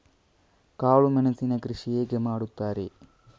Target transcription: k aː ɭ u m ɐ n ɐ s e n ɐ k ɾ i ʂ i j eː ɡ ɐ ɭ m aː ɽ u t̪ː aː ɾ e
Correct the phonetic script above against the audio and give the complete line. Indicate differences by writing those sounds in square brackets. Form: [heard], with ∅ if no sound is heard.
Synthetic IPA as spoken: k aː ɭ u m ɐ n ɐ s [i] n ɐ k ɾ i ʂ i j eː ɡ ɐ [∅] m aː ɽ u t̪ː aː ɾ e